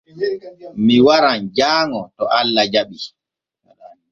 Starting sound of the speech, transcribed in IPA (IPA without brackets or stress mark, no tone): m